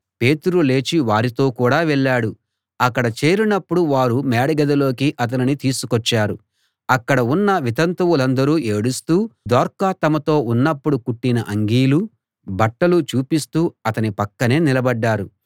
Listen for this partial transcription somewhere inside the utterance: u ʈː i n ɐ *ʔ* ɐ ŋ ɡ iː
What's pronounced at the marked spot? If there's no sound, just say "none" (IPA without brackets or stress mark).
ʔ